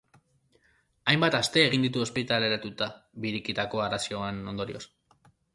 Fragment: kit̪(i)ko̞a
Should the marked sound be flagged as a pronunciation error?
yes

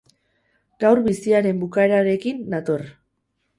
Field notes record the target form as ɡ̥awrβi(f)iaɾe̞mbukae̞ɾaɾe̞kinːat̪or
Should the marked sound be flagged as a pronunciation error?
yes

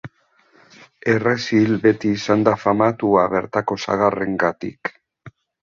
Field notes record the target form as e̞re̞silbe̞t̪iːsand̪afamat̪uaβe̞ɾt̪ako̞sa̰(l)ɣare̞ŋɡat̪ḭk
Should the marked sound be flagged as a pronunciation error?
yes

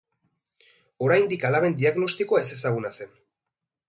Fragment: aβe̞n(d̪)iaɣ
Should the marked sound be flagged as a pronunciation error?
no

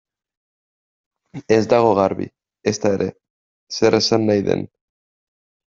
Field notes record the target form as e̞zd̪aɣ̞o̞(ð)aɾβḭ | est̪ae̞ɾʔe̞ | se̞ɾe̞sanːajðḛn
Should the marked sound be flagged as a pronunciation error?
yes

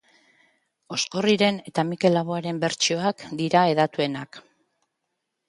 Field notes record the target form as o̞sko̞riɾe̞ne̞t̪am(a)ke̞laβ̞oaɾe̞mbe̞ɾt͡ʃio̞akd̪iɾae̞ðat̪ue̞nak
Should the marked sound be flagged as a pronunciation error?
yes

